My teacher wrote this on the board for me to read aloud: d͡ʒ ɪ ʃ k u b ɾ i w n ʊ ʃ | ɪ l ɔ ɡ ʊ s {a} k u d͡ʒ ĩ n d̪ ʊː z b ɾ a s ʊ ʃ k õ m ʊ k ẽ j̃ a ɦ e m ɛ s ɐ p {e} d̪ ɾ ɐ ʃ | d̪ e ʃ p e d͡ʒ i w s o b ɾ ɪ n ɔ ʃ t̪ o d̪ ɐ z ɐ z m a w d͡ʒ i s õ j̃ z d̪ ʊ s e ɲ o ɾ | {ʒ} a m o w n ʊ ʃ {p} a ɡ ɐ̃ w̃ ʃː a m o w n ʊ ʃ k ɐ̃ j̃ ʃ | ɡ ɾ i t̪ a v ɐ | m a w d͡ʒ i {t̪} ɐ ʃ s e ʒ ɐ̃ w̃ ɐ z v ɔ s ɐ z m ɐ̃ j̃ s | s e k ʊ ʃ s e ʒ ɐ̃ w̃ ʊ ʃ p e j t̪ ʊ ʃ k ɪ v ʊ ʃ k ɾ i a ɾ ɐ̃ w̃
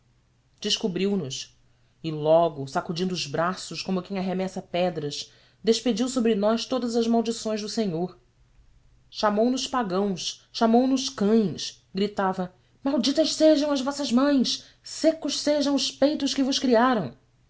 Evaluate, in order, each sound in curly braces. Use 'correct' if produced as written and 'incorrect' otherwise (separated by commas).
correct, incorrect, incorrect, correct, correct